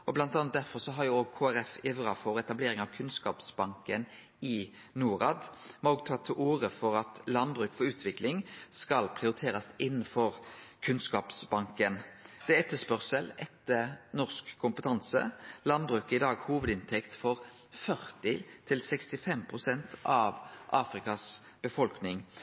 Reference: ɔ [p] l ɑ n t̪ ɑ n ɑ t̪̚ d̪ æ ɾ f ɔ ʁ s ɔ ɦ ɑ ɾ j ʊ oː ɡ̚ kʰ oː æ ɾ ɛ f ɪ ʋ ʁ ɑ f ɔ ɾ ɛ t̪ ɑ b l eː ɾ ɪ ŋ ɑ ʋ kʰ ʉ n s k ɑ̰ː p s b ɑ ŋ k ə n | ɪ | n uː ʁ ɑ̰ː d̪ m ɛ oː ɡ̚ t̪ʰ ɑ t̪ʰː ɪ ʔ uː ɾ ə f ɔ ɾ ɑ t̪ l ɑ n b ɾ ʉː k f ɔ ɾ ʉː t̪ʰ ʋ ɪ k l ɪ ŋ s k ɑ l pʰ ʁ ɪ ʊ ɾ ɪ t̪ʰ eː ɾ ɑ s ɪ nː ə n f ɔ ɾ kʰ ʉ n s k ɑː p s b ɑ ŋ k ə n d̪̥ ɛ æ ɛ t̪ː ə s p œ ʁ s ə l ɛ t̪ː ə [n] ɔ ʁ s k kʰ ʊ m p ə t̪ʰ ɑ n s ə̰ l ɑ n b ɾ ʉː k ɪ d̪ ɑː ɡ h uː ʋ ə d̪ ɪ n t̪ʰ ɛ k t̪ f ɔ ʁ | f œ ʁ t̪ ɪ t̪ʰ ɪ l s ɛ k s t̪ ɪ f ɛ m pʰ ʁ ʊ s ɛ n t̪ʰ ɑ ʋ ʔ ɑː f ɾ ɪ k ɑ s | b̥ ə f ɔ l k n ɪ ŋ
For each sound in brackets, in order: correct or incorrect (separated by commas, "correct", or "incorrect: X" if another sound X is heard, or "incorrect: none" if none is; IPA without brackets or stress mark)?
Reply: incorrect: b, correct